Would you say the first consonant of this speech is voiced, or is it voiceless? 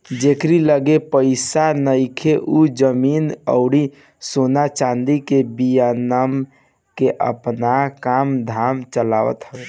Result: voiced